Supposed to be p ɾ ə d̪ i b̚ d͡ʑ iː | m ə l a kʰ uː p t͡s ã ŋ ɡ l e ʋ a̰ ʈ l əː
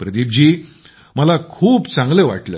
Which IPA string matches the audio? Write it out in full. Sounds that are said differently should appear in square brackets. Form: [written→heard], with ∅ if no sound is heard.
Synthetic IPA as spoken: p ɾ ə d̪ i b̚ d͡ʑ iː | m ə l a kʰ uː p t͡s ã ŋ ɡ l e ʋ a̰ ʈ l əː